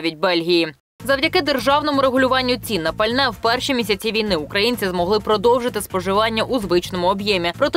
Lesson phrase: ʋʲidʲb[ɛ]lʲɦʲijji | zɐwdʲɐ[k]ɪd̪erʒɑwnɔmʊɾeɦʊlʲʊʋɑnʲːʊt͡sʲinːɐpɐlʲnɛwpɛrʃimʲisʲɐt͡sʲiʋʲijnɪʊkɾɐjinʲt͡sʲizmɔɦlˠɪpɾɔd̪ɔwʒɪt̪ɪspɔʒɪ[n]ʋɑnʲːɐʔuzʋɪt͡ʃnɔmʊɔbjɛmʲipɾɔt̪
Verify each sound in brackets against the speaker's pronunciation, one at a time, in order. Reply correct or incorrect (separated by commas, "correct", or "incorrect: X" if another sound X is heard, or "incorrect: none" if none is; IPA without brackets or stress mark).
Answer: correct, correct, incorrect: none